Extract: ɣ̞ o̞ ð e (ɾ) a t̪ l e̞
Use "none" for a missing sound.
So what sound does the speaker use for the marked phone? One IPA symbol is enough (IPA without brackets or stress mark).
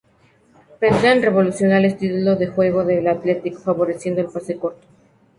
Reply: l